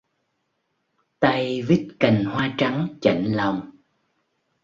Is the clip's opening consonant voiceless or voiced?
voiceless